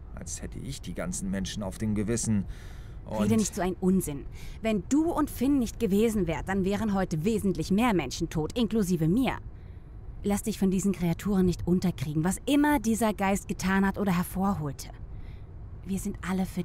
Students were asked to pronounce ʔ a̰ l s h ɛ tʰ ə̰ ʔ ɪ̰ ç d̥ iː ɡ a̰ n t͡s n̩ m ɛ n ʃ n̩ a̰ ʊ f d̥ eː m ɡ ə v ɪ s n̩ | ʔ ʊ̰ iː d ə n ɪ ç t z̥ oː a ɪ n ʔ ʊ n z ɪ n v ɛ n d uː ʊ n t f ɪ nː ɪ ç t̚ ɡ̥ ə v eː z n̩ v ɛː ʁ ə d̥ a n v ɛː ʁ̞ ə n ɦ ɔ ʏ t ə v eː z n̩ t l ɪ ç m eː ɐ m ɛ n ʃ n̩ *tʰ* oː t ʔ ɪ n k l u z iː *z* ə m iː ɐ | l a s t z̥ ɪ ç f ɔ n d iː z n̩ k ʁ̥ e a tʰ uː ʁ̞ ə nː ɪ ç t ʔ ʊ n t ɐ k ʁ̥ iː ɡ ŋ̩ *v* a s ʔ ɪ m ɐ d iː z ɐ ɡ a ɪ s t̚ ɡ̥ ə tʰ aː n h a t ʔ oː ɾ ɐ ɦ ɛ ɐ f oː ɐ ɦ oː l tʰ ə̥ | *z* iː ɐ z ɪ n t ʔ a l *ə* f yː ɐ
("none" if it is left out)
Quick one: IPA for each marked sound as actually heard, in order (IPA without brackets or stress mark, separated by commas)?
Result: tʰ, v, v, v, ə